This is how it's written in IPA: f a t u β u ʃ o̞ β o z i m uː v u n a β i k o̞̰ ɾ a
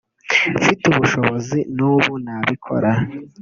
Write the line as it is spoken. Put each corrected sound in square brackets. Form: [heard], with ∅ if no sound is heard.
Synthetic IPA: f [i] t u β u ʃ o̞ β o z i [n] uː [β] u n a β i [kʰ] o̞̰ ɾ a